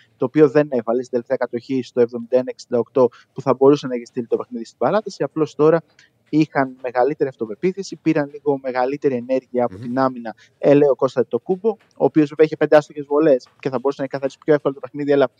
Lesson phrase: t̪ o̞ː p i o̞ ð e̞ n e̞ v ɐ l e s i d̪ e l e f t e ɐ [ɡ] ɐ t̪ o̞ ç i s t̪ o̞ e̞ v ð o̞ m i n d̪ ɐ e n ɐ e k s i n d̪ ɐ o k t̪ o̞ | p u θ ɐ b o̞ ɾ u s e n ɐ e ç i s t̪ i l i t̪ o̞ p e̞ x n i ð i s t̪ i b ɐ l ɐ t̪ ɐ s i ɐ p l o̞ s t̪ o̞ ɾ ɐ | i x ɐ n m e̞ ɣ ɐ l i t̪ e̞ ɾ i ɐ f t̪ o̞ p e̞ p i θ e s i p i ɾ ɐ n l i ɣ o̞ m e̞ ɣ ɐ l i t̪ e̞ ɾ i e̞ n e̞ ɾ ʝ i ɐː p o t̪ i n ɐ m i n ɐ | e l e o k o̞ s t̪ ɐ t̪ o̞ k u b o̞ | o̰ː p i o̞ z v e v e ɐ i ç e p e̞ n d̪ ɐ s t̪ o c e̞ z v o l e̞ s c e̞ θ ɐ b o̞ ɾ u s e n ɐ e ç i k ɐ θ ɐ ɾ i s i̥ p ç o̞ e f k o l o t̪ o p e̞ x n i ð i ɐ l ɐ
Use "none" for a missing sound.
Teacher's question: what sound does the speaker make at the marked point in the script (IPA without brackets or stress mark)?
k